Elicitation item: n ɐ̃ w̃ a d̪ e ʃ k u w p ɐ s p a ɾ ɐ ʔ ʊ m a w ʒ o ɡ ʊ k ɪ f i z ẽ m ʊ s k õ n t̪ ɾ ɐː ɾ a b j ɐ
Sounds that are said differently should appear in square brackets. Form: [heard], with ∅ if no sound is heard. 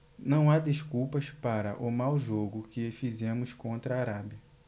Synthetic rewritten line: n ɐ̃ w̃ a d̪ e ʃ k u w p ɐ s p a ɾ ɐ ʔ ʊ m a w ʒ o ɡ ʊ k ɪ f i z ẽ m ʊ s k õ n t̪ ɾ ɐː ɾ a b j ɐ